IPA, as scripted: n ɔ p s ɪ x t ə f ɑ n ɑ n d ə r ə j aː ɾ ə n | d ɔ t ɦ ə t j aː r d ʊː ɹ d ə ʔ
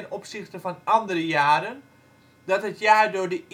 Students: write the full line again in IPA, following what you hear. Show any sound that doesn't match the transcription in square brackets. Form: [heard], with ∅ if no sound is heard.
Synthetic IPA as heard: n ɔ p s ɪ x t ə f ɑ n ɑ n d ə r ə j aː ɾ ə n | d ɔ t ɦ ə t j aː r d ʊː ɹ d ə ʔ